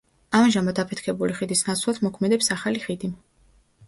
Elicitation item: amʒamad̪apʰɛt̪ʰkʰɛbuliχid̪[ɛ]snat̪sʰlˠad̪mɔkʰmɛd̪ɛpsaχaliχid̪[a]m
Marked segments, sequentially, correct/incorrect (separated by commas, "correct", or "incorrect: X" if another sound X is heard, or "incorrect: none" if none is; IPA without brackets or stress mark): incorrect: i, incorrect: i